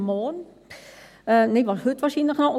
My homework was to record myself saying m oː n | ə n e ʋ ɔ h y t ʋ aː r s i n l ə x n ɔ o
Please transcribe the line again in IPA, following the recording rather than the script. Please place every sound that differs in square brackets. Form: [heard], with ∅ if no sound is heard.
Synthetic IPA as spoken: m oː n | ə n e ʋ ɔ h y t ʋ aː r s i n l ə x n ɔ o